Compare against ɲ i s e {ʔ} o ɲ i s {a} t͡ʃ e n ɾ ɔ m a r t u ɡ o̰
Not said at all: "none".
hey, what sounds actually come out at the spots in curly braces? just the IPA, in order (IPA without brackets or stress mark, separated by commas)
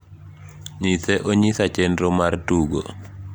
ʔ, a